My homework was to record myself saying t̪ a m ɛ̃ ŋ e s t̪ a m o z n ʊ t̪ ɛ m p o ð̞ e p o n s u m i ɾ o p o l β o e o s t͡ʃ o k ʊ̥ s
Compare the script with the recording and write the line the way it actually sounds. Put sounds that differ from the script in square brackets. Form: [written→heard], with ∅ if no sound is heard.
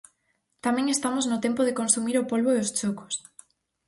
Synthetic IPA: t̪ a m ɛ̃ ŋ e s t̪ a m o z n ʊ t̪ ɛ m p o ð̞ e [p→k] o n s u m i ɾ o p o l β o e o s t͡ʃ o k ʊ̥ s